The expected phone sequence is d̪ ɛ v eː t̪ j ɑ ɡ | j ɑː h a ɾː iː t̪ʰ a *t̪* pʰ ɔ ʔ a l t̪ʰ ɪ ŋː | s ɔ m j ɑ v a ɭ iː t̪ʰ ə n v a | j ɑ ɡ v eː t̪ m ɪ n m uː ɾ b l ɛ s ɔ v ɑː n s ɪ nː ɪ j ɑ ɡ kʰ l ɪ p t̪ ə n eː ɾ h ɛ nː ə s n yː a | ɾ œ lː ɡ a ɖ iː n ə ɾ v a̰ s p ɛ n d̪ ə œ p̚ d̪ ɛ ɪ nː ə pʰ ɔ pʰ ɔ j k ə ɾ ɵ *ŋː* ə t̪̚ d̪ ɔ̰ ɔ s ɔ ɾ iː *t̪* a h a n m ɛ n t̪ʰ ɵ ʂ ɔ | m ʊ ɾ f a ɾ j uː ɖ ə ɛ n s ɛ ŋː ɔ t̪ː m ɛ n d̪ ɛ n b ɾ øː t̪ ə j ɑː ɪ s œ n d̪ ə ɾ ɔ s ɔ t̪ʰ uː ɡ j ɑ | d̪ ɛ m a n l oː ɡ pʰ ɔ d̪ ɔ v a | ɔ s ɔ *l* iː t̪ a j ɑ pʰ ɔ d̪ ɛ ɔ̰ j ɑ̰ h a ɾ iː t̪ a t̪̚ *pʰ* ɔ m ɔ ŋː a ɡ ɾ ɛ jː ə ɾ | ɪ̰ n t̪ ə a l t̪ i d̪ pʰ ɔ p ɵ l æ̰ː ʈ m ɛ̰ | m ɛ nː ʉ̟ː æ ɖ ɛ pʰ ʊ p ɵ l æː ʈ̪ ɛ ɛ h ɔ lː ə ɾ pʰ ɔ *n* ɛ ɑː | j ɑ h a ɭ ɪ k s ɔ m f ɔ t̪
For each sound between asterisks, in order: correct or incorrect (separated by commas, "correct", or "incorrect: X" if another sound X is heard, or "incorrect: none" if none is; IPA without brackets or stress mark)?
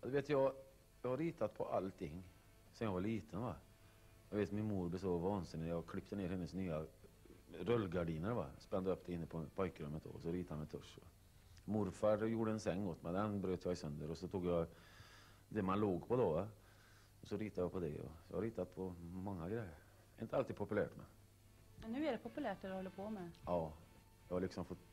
correct, incorrect: mː, correct, incorrect: ɾ, correct, incorrect: m